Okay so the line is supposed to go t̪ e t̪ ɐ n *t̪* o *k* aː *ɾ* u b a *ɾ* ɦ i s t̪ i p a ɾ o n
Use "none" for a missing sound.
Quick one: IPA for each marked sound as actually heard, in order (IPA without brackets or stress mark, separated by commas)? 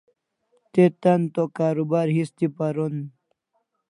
t̪, k, ɾ, ɾ